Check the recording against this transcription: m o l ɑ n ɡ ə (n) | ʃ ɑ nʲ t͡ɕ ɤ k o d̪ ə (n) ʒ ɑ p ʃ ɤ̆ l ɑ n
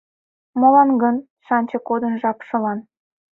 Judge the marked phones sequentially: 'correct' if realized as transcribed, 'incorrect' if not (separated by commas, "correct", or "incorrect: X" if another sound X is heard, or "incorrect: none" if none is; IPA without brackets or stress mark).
correct, correct